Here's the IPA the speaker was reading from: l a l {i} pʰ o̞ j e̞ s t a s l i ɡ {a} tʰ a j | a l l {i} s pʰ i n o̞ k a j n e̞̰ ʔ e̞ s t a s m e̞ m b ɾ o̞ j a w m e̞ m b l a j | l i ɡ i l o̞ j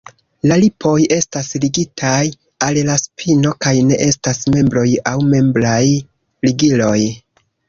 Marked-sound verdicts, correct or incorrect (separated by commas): correct, incorrect, incorrect